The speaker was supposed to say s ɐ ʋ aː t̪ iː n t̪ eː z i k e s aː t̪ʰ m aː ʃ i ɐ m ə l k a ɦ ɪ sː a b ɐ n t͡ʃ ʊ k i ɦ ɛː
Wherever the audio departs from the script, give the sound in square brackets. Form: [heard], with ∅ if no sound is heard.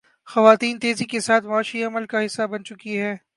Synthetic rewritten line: [x] ɐ ʋ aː t̪ iː n t̪ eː z i k e s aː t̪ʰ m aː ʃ i ɐ m ə l k a ɦ ɪ sː a b ɐ n t͡ʃ ʊ k i ɦ ɛː